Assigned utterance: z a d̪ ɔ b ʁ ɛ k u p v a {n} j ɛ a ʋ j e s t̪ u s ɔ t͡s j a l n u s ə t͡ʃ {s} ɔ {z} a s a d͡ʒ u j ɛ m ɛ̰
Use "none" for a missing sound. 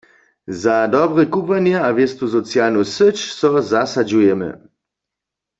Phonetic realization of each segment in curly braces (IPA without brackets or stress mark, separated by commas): n, s, z